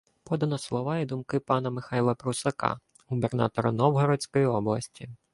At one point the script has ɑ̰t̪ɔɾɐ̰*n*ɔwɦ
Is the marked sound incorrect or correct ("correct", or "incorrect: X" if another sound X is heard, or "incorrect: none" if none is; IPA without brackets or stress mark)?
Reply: correct